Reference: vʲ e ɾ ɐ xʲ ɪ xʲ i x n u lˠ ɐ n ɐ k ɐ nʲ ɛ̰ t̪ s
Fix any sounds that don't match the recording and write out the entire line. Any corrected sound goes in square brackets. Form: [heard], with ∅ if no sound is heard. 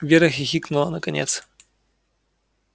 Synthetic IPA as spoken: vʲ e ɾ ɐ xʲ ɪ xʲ i [k] n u lˠ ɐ n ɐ k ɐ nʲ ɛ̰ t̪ s